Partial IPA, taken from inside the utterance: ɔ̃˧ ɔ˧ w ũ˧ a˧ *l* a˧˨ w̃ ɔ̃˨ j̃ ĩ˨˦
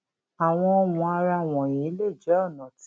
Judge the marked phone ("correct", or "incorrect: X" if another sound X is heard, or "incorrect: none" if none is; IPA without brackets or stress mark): incorrect: ɾ